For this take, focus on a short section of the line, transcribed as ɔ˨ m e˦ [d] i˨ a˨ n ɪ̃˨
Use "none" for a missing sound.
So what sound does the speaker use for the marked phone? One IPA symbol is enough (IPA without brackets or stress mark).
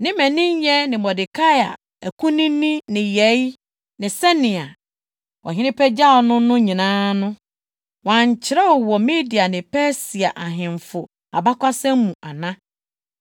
d